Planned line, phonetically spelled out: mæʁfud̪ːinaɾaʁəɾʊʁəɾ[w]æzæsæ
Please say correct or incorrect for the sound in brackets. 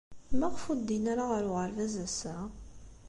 incorrect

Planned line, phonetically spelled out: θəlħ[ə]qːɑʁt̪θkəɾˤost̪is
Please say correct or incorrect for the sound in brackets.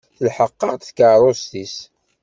correct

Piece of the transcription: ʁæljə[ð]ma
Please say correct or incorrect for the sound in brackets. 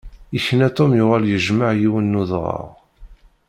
incorrect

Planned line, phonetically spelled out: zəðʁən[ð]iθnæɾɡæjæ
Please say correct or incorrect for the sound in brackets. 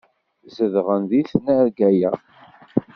correct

